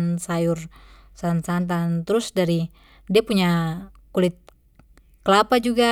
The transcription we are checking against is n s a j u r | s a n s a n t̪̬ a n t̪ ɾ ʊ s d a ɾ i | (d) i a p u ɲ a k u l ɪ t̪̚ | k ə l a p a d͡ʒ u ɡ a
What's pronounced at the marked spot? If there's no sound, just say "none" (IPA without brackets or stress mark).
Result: d